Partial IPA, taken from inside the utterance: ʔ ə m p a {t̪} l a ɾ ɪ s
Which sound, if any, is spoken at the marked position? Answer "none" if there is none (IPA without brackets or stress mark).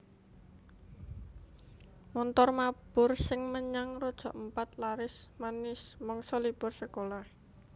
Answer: t̪